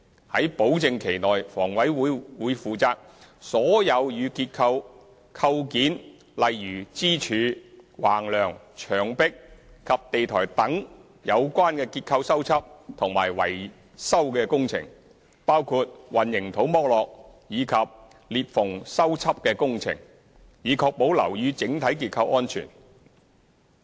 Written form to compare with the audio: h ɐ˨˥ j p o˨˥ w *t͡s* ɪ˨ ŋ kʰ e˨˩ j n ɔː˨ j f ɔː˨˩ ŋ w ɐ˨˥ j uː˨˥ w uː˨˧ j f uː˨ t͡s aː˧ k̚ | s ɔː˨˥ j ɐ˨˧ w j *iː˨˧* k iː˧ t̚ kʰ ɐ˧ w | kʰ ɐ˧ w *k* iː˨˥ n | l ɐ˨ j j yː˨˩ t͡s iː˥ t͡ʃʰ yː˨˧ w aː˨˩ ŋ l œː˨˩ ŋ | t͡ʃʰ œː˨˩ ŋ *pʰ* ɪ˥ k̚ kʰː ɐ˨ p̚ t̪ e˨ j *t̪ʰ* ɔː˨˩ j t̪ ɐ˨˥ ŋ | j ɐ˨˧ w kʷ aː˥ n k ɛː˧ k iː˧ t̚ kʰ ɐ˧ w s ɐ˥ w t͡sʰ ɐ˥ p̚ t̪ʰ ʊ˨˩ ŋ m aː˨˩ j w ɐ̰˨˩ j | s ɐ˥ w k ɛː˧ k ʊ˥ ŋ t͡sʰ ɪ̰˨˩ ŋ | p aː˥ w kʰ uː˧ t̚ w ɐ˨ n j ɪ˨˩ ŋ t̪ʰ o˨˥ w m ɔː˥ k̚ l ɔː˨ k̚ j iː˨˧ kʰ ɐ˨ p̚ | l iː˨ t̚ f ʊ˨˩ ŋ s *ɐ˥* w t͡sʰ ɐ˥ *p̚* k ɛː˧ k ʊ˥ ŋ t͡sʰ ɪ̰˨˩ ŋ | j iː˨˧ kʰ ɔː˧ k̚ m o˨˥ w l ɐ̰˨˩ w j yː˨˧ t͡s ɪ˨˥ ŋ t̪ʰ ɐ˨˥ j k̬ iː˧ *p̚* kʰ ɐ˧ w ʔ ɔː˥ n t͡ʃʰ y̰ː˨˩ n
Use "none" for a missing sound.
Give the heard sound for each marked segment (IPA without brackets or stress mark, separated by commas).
t͡s, yː˨˧, k, p, t̪ʰ, ɐ˥, p̚, t̚